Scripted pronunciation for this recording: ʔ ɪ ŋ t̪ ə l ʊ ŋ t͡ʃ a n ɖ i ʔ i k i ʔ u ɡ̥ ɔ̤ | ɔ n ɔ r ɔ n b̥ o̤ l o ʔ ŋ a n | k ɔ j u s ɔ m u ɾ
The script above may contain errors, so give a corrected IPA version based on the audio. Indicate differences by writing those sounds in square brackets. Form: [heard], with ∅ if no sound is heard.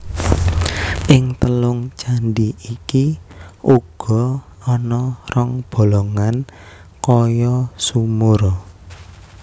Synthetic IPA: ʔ ɪ ŋ t̪ ə l ʊ ŋ t͡ʃ a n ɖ i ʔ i k i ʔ u ɡ̥ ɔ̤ | ɔ n ɔ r ɔ [ŋ] b̥ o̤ l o [∅] ŋ a n | k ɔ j [ɔ] s [u] m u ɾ